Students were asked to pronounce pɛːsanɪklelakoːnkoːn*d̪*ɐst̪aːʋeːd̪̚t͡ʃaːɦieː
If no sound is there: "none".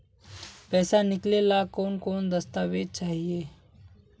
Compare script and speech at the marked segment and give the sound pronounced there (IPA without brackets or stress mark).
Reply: d̪